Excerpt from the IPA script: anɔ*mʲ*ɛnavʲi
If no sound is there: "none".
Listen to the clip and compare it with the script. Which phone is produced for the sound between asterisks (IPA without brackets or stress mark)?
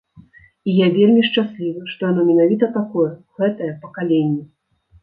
mʲ